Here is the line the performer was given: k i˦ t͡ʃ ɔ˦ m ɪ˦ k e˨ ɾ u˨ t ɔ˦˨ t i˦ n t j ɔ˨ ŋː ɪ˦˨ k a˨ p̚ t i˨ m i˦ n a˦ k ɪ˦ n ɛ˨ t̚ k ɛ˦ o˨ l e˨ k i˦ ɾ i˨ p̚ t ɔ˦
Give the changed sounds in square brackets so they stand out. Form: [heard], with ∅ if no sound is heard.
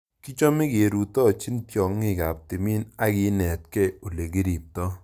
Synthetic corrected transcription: k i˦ t͡ʃ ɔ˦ m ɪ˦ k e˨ ɾ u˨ t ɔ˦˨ [t͡ʃ] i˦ n t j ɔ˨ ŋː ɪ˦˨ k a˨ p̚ t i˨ m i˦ n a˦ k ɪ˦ n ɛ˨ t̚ k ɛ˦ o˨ l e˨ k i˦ ɾ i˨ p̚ t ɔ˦